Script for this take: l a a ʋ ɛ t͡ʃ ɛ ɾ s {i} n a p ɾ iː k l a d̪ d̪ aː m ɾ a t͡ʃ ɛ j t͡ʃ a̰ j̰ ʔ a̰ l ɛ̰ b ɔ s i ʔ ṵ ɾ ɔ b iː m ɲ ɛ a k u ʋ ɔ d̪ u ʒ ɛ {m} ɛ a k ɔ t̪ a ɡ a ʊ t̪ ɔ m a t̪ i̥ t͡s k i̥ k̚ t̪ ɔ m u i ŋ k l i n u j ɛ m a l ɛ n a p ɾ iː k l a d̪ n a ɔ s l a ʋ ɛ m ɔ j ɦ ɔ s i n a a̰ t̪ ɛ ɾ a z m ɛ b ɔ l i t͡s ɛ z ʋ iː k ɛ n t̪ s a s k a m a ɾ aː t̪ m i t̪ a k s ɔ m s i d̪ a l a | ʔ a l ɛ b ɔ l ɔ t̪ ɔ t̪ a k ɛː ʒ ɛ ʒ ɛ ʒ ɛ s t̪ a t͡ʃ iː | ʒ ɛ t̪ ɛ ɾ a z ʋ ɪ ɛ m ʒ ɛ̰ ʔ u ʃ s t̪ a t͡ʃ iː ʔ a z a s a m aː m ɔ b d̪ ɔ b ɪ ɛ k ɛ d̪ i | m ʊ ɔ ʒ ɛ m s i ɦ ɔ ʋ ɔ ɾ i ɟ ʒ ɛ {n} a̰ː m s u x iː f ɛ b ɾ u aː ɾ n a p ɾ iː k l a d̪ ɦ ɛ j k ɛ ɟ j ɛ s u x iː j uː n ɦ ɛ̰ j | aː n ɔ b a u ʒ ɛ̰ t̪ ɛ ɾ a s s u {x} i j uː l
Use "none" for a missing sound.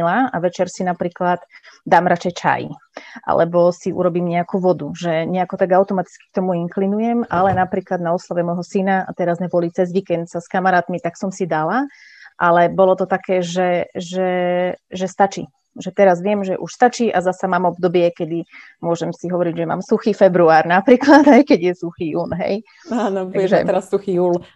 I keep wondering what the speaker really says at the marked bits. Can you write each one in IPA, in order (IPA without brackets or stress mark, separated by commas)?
i, ɲ, m, x